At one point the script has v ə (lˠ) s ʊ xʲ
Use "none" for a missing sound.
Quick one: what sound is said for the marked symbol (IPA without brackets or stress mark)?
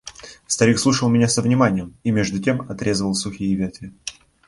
lˠ